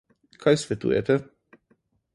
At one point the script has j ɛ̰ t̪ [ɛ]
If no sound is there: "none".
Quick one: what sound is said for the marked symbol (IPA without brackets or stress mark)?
ɛ